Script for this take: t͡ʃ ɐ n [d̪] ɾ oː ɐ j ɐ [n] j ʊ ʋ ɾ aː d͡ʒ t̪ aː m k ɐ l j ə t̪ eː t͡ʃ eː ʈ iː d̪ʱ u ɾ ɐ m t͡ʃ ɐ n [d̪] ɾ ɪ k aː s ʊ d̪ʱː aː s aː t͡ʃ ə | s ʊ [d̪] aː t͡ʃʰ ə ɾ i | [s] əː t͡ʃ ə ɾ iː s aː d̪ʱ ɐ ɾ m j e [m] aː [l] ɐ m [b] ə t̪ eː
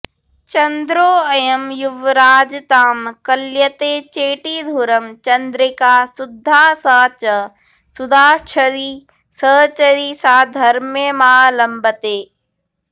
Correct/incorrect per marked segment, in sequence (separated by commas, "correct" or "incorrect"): correct, incorrect, correct, correct, correct, correct, correct, correct